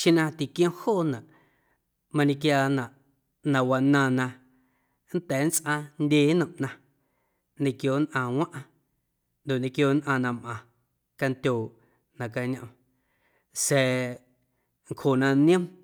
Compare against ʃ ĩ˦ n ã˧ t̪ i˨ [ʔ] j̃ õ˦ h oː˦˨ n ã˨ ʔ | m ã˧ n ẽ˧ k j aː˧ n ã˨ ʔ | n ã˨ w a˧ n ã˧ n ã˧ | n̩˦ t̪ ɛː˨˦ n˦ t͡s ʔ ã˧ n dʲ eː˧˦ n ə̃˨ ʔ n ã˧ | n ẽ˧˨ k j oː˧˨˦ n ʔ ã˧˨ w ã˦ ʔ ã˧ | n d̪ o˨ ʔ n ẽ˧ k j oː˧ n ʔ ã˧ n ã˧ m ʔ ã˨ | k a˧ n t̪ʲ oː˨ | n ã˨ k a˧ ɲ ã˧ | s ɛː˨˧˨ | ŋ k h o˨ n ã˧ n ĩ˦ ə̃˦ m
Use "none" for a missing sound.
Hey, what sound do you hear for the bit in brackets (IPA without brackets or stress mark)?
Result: k